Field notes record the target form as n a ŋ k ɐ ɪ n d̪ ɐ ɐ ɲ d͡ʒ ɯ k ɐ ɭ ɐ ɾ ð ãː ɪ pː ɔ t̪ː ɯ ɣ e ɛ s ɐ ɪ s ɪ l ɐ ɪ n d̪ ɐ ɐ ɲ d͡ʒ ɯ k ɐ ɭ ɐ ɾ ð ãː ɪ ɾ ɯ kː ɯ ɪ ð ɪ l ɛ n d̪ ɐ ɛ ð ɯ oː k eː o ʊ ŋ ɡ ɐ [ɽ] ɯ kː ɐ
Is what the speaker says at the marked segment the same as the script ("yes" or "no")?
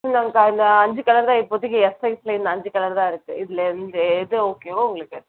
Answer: no